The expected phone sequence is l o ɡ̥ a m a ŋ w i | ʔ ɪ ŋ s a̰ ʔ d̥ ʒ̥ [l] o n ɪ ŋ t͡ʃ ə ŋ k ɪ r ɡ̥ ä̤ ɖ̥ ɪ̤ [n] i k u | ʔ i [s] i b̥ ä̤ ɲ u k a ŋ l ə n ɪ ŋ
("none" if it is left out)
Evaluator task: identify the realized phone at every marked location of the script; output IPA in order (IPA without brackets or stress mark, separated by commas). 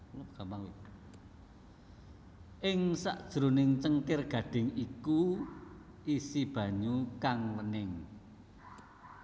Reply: ɾ, ŋ, s